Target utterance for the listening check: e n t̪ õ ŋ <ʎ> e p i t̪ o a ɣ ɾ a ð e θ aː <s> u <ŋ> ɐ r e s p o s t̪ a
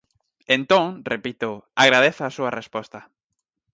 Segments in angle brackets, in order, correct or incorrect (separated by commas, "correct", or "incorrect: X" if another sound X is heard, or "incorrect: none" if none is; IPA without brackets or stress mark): incorrect: r, correct, incorrect: none